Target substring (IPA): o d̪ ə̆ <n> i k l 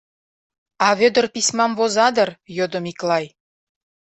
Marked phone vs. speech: incorrect: m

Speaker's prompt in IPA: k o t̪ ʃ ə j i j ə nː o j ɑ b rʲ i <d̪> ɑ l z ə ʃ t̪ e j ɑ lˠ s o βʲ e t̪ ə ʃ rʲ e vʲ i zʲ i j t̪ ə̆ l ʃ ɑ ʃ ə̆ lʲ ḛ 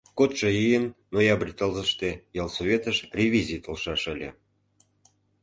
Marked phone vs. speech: incorrect: t̪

